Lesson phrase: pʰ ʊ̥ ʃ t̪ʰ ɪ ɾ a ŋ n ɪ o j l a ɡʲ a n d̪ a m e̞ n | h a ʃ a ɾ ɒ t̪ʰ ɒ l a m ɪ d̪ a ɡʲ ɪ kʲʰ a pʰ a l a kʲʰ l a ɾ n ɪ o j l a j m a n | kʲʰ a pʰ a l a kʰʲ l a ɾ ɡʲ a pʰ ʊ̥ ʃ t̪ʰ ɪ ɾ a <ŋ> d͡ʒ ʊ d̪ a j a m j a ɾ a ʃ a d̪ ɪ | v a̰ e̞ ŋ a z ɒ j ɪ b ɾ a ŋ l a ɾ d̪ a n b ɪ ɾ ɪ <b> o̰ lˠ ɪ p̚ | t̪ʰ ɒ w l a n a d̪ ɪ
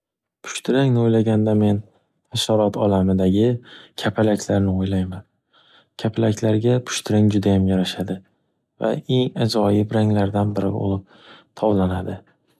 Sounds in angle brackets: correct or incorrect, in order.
correct, correct

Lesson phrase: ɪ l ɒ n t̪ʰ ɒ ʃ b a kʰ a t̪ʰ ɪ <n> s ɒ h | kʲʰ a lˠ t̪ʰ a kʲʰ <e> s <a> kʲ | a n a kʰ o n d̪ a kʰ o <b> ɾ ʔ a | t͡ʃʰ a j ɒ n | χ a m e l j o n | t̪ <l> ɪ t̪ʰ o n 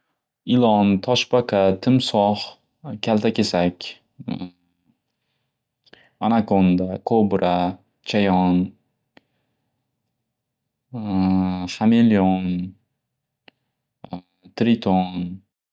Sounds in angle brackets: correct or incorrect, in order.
incorrect: m, correct, correct, correct, incorrect: ɾ

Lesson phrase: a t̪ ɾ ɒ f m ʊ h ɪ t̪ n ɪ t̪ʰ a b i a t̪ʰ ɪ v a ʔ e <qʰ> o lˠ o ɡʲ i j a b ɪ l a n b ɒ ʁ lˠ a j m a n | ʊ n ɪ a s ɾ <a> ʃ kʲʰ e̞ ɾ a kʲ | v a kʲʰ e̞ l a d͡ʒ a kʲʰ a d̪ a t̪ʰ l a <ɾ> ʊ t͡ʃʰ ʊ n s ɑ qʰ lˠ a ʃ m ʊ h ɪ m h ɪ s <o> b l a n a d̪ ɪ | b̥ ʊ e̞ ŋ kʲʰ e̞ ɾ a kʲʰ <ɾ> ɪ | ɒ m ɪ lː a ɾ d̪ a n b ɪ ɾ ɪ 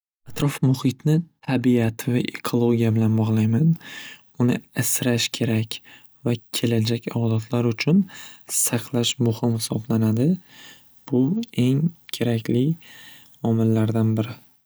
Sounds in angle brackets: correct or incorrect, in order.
incorrect: kʰ, correct, correct, incorrect: ɒ, incorrect: l

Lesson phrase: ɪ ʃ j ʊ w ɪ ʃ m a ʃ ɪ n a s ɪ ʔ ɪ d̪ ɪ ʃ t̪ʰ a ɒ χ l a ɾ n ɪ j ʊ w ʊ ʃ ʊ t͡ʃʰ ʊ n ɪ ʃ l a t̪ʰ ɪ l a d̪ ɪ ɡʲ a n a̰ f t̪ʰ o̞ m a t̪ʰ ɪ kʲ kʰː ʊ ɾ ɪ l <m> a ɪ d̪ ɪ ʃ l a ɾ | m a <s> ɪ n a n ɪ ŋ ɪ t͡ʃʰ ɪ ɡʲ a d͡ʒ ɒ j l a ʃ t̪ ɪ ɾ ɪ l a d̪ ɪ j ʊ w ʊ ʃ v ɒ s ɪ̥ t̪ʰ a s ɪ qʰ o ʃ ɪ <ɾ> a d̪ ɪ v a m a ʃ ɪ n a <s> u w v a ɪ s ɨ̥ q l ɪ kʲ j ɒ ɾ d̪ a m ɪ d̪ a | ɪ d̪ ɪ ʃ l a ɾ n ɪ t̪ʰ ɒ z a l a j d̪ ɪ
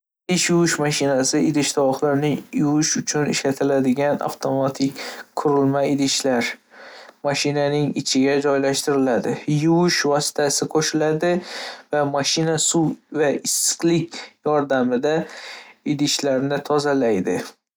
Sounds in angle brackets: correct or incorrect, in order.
correct, incorrect: ʃ, incorrect: l, correct

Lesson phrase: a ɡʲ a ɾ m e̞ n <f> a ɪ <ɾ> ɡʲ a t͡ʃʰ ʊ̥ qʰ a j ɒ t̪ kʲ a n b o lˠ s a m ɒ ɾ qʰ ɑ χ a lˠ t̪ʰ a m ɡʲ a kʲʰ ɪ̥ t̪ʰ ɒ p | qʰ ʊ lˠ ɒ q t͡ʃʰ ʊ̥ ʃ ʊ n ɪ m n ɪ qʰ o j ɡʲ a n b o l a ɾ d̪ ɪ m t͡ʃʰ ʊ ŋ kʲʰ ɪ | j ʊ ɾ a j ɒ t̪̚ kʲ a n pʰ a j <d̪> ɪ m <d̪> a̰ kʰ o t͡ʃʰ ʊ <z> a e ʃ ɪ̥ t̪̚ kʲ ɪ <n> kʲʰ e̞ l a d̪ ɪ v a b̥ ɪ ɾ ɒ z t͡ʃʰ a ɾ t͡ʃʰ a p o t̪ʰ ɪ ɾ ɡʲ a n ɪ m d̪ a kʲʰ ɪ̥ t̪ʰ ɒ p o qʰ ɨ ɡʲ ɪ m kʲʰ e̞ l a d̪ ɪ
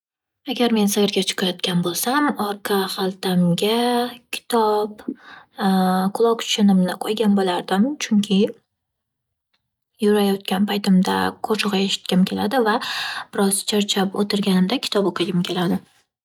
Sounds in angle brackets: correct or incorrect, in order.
incorrect: s, correct, incorrect: t̪, correct, incorrect: ʁ, incorrect: m

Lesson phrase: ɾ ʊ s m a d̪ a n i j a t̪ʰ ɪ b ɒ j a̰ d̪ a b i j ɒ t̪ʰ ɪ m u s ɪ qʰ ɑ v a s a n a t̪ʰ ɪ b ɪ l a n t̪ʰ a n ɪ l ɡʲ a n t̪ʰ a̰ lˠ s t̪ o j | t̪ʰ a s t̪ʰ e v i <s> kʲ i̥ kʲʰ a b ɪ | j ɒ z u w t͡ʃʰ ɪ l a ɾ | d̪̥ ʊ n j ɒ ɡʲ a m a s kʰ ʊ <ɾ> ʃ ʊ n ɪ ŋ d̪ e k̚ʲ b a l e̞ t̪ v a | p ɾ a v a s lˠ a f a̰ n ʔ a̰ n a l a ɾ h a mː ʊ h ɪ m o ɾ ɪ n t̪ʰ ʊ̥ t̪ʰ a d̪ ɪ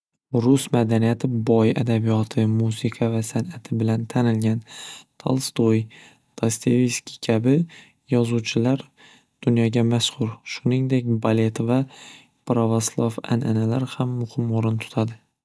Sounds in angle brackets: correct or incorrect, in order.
correct, correct

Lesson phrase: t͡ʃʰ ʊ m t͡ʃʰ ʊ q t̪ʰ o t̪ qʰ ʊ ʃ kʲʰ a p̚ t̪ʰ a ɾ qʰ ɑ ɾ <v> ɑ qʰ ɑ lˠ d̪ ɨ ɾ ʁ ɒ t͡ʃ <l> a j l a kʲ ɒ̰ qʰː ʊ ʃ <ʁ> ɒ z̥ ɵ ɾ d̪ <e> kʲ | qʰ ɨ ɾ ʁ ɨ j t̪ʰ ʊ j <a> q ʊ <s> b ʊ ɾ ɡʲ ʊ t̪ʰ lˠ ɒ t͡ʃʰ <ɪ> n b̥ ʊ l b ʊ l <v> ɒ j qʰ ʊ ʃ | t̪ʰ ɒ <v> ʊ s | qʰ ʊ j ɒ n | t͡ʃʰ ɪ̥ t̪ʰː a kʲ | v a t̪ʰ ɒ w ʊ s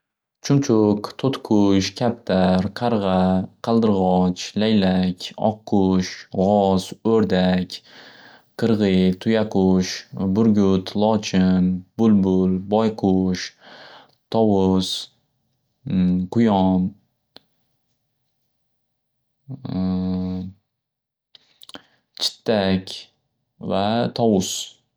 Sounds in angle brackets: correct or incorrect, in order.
incorrect: ʁ, correct, correct, incorrect: a, correct, incorrect: ʃ, correct, incorrect: b, incorrect: w

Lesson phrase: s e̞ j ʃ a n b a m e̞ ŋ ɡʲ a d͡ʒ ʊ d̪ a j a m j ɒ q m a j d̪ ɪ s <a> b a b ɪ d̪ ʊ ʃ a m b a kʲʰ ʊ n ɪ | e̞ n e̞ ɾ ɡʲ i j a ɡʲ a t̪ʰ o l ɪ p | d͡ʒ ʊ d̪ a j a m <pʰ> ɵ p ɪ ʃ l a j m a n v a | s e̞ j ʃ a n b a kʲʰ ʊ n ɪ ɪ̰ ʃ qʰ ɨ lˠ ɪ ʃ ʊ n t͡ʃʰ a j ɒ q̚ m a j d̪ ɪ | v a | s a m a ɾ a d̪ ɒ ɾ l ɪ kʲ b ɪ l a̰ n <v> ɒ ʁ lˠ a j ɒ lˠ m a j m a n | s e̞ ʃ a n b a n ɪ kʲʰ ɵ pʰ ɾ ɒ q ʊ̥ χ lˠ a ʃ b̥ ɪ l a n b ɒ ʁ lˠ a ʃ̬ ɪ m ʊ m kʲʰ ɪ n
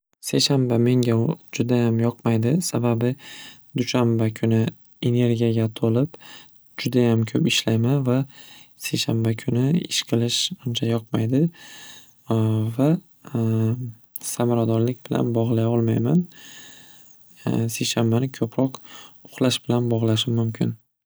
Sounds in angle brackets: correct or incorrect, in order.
correct, incorrect: kʰ, incorrect: b

